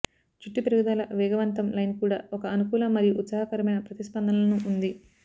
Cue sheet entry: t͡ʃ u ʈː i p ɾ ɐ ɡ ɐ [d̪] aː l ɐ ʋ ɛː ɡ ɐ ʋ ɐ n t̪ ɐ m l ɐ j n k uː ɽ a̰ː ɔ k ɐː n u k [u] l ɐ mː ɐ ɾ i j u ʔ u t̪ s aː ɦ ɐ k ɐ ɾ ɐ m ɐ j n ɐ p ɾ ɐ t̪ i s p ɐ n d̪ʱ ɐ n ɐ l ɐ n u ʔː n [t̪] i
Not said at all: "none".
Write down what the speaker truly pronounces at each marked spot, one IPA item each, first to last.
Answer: d̪, uː, d̪

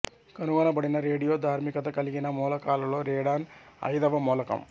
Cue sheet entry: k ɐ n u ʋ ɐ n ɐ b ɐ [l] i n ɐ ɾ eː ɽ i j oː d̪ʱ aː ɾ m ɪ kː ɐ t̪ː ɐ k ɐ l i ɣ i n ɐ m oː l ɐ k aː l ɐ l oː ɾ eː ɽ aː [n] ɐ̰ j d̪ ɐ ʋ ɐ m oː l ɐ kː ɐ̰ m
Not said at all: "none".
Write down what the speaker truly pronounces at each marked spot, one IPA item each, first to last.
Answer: ɽ, n

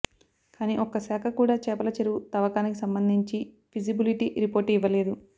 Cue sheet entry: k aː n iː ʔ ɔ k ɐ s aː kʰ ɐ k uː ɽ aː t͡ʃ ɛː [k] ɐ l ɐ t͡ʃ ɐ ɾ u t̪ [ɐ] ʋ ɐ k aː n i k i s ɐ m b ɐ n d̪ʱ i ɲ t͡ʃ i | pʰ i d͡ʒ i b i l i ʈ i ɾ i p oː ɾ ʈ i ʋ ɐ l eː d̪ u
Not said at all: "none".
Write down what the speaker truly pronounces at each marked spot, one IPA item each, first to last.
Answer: p, ɐ

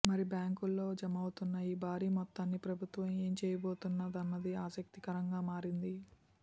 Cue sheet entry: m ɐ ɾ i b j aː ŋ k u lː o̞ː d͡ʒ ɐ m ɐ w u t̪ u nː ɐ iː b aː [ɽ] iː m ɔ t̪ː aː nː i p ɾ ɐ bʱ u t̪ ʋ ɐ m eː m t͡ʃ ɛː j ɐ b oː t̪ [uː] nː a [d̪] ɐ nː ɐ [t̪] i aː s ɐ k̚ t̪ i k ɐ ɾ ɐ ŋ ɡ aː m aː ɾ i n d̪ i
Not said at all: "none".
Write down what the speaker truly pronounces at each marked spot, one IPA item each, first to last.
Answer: ɾ, u, d̪, d̪

